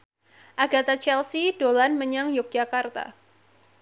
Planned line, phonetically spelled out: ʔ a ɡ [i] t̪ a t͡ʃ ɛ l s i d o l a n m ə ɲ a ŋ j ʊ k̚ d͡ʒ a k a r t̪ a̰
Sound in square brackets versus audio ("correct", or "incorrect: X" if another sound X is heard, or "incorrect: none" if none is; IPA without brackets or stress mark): incorrect: a